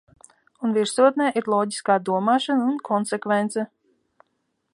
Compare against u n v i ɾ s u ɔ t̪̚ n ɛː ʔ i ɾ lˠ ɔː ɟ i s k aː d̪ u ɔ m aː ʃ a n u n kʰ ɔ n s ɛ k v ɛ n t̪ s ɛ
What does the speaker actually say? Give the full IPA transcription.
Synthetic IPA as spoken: u n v i ɾ s u ɔ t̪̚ n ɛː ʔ i ɾ lˠ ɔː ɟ i s k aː d̪ u ɔ m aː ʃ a n u n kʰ ɔ n s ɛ k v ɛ n t̪ s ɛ